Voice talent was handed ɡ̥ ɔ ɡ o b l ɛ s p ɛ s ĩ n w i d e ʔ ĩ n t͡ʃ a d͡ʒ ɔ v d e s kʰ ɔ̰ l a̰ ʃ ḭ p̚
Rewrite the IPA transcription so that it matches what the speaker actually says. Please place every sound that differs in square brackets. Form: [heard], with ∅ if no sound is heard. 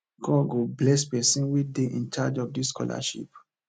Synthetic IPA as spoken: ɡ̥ ɔ ɡ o b l ɛ s p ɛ s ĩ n w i d e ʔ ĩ n t͡ʃ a d͡ʒ ɔ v d [i] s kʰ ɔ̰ l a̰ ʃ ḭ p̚